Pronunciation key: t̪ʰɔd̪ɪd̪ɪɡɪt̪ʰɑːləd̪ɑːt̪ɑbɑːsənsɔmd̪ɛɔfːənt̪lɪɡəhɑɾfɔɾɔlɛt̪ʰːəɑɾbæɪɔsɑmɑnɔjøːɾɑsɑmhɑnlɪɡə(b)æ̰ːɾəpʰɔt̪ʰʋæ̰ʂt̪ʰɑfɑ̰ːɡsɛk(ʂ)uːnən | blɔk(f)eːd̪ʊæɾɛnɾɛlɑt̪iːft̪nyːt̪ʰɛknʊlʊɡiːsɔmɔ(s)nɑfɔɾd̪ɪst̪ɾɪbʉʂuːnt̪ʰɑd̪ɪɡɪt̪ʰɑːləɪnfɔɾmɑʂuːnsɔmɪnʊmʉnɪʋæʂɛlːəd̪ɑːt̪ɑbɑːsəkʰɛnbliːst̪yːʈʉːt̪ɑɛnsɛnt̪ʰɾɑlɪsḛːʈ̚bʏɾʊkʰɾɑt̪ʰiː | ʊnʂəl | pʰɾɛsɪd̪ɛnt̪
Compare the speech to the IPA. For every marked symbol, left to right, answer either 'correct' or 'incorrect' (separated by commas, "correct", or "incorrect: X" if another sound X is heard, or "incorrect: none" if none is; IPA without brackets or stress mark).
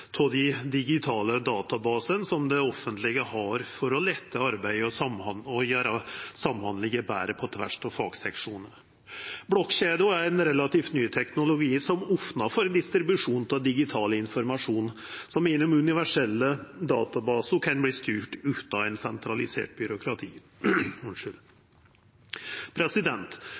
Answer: correct, correct, incorrect: ɕ, incorrect: f